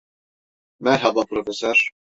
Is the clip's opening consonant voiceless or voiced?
voiced